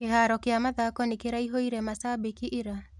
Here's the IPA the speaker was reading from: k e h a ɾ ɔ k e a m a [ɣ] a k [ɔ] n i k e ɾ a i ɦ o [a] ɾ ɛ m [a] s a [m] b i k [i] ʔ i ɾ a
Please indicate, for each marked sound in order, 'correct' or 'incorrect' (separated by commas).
incorrect, correct, incorrect, correct, incorrect, correct